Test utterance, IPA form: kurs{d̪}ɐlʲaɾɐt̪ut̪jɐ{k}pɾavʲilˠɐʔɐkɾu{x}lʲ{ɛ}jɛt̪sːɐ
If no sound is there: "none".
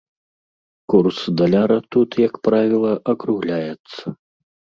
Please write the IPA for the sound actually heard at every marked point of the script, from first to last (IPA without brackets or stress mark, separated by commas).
d̪, k, ɣ, a